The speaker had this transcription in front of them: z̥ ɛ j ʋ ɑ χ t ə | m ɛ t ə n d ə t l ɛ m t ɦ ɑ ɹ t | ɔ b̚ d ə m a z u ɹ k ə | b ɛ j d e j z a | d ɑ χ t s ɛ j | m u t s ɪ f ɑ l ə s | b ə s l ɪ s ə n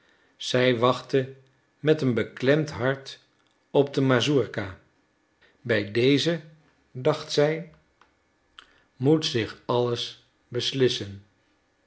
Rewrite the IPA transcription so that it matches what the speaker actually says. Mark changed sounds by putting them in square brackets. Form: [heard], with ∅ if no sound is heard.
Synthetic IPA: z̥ ɛ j ʋ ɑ χ t ə | m ɛ t ə n [b] ə [k] l ɛ m t ɦ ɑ ɹ t | ɔ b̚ d ə m a z u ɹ k [a] | b ɛ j d e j z [ə] | d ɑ χ t s ɛ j | m u t s ɪ [χ] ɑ l ə s | b ə s l ɪ s ə n